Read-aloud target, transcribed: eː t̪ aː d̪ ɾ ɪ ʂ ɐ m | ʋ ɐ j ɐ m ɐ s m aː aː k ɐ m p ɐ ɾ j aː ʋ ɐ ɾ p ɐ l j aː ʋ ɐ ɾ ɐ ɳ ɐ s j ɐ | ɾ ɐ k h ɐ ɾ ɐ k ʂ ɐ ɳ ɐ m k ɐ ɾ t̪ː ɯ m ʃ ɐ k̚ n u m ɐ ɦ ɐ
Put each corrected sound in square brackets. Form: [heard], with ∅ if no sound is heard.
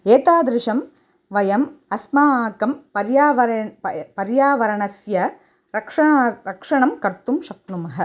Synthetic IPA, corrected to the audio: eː t̪ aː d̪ ɾ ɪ ʂ ɐ m | ʋ ɐ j ɐ m ɐ s m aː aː k ɐ m p ɐ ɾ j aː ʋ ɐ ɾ p ɐ [ɾ] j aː ʋ ɐ ɾ ɐ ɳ ɐ s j ɐ | ɾ ɐ k [ʂ] ɐ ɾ ɐ k ʂ ɐ ɳ ɐ m k ɐ ɾ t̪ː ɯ m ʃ ɐ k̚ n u m ɐ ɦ ɐ